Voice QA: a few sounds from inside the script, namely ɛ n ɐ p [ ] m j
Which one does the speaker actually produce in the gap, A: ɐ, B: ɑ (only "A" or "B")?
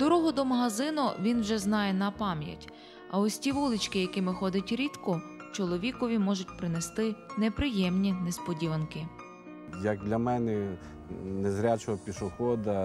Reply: B